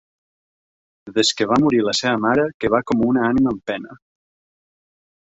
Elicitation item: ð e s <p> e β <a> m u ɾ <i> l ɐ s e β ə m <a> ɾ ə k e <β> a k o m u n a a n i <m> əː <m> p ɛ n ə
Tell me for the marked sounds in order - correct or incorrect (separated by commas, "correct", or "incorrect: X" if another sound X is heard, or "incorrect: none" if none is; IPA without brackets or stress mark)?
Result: incorrect: k, correct, correct, correct, correct, correct, correct